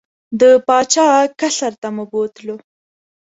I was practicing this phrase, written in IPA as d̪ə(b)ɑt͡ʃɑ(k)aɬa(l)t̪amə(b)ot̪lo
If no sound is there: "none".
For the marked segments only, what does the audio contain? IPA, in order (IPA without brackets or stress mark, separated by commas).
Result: p, k, ɾ, b